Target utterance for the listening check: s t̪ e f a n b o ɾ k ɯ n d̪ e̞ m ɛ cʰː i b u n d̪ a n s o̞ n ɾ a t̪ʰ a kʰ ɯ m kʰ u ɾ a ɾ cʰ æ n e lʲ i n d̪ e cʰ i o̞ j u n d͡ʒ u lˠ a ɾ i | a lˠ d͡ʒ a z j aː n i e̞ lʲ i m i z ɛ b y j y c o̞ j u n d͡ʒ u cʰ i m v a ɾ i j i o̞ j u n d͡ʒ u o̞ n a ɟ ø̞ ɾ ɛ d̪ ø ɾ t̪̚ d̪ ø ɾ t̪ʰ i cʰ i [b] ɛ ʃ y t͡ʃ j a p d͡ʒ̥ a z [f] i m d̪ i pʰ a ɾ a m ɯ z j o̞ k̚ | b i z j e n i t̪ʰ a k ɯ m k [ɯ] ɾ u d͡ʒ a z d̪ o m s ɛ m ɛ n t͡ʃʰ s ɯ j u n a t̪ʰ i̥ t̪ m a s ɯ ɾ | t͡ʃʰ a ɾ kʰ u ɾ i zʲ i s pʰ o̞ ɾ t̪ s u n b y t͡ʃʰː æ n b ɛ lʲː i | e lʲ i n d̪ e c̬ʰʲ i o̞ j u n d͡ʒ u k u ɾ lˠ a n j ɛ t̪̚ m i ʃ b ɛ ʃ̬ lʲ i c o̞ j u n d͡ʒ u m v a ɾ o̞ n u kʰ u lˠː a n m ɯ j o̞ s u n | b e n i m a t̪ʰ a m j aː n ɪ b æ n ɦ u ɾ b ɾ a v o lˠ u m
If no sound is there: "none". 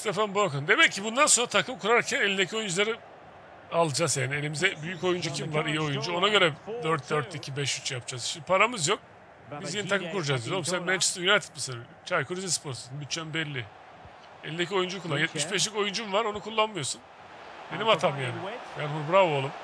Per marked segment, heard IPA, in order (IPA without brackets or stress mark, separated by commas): b, ʃ, u